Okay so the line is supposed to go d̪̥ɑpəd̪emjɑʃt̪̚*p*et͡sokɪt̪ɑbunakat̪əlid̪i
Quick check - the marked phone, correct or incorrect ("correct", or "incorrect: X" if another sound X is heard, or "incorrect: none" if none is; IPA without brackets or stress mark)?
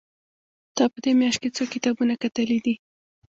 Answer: incorrect: k